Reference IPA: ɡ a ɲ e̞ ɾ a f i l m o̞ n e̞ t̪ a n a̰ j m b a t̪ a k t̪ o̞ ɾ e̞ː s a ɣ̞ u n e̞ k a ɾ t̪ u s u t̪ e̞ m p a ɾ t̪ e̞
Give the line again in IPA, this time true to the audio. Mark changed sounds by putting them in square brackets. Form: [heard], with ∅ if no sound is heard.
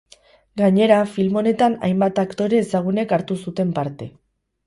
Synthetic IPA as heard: ɡ a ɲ e̞ ɾ a f i l m o̞ n e̞ t̪ a n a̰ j m b a t̪ a k t̪ o̞ ɾ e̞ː s a ɣ̞ u n e̞ k a ɾ t̪ u s u t̪ e̞ m p a ɾ t̪ e̞